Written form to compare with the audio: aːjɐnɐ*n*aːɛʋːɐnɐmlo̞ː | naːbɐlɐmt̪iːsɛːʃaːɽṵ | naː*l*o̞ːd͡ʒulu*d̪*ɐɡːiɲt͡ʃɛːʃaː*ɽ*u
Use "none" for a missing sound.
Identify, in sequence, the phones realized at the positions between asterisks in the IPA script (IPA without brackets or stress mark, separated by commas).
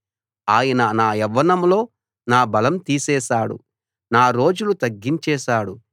n, ɾ, t̪, ɽ